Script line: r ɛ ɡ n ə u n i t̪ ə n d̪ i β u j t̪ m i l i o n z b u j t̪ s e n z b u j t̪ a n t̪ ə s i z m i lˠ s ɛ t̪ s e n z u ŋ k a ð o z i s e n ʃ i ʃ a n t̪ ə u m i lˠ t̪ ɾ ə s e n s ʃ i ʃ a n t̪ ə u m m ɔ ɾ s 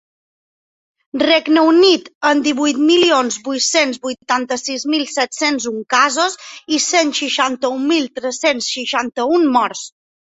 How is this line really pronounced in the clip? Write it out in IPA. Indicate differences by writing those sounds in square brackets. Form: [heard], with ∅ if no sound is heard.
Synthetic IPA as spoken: r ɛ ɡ n ə u n i t̪ ə n d̪ i β u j t̪ m i l i o n z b u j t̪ s e n z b u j t̪ a n t̪ ə s i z m i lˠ s ɛ t̪ s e n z u ŋ k a [z] o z i s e n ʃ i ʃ a n t̪ ə u m i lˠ t̪ ɾ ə s e n s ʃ i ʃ a n t̪ ə u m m ɔ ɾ s